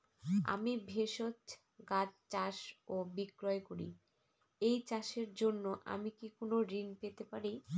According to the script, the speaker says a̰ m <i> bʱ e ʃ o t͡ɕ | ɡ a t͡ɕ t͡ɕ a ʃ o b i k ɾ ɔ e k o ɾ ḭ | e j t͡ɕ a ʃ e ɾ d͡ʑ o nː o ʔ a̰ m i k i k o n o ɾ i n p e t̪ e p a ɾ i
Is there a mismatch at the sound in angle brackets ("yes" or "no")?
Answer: no